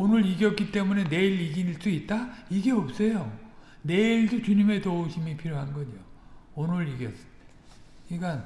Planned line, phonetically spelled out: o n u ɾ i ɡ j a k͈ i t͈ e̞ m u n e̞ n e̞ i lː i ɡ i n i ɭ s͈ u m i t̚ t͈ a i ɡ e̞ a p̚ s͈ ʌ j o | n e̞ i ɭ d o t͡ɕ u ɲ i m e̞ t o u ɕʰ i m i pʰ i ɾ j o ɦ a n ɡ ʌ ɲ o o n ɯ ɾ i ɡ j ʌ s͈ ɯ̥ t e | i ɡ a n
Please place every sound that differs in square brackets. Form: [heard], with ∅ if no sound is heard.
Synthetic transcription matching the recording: o n [ɯ] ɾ i ɡ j [ʌ] k͈ i t͈ e̞ m u n e̞ n e̞ i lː i ɡ i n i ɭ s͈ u [∅] i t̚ t͈ a i ɡ e̞ [ʌ] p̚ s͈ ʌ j o | n e̞ i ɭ d o t͡ɕ u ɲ i m e̞ t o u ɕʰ i m i pʰ i ɾ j o ɦ a n ɡ ʌ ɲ o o n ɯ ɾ i ɡ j ʌ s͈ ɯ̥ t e | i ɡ a n